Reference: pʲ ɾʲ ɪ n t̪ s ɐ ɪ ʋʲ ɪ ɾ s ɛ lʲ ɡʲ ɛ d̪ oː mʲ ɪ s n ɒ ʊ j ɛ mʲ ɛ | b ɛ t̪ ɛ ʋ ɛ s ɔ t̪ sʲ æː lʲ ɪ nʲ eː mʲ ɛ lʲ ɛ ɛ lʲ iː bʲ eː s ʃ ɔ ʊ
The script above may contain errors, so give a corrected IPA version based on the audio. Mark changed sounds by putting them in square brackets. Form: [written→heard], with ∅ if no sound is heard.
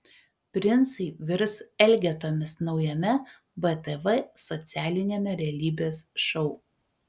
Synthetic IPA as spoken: pʲ ɾʲ ɪ n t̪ s ɐ ɪ ʋʲ ɪ ɾ s ɛ lʲ ɡʲ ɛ [d̪→t̪] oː mʲ ɪ s n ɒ ʊ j ɛ mʲ ɛ | b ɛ t̪ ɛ ʋ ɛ s ɔ t̪ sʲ æː lʲ ɪ nʲ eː mʲ ɛ [lʲ→ɾʲ] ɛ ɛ lʲ iː bʲ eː s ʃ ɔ ʊ